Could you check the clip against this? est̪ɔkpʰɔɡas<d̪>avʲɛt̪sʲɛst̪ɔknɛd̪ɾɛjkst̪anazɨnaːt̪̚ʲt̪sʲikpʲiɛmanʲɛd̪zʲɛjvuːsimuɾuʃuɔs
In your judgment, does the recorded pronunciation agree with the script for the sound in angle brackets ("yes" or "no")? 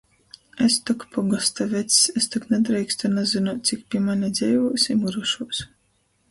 no